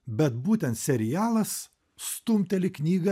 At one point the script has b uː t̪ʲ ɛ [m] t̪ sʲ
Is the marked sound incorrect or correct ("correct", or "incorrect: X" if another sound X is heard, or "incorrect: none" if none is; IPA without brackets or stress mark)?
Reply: incorrect: n